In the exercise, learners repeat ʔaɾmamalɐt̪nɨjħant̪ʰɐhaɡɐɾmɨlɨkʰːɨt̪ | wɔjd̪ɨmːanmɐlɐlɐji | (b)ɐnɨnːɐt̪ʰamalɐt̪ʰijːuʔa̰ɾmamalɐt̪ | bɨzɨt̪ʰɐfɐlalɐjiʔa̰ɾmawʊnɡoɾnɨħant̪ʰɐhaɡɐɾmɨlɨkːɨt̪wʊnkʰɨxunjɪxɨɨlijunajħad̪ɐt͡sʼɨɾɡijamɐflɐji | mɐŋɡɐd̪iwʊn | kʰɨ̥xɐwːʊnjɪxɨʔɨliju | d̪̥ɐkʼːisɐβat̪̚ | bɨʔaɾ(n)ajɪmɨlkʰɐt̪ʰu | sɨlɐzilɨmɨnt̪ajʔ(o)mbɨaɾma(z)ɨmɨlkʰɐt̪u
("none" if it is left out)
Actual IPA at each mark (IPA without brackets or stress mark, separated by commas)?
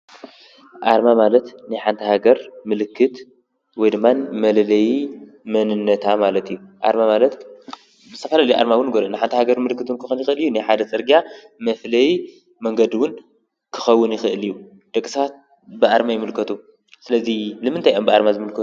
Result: m, m, o, z